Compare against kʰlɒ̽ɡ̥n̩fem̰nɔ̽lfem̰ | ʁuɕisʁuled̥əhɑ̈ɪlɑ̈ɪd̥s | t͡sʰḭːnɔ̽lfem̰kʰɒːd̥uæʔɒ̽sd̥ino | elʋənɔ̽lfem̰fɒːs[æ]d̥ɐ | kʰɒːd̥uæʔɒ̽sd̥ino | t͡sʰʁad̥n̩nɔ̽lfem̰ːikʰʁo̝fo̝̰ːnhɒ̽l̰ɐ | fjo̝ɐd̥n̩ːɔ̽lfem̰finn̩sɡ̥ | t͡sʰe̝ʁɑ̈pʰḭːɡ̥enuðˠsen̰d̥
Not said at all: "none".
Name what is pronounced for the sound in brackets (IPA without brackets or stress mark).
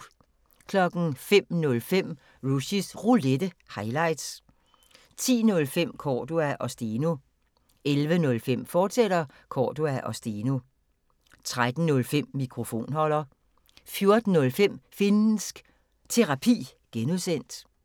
e